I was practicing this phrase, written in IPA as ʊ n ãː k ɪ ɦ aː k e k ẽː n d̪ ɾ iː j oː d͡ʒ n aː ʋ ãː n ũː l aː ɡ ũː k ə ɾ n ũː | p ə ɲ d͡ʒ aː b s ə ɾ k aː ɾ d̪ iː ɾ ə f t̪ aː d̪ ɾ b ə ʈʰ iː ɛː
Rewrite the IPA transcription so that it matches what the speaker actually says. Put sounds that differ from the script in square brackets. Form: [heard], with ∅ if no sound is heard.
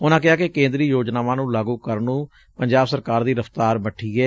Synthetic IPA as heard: ʊ n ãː k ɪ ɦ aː k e k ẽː n d̪ ɾ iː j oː d͡ʒ n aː ʋ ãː n ũː l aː ɡ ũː k ə ɾ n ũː | p ə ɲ d͡ʒ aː b s ə ɾ k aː ɾ d̪ iː ɾ ə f t̪ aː [∅] ɾ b ə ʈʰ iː ɛː